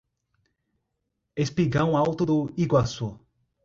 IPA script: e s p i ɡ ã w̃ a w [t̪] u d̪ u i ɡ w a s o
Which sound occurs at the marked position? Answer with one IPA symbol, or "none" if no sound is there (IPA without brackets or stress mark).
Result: t̪